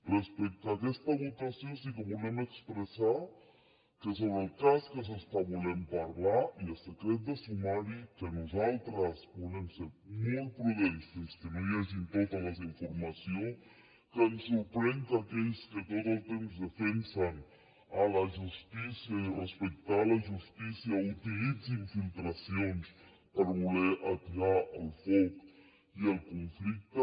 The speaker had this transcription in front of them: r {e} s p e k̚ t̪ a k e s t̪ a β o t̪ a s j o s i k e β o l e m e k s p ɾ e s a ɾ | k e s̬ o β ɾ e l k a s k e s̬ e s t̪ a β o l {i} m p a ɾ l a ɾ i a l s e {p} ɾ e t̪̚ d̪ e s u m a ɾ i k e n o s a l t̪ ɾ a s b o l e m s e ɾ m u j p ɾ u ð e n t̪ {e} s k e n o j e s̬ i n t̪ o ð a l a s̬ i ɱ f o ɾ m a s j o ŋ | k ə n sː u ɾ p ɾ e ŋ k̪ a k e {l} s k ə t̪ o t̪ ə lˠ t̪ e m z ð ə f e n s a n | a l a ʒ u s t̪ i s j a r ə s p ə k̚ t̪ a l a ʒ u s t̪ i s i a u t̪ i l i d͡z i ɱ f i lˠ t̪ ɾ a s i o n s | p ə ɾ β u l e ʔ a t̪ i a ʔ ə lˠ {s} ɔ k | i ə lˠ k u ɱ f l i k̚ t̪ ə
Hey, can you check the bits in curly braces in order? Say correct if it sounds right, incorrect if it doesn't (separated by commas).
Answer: correct, incorrect, incorrect, correct, incorrect, incorrect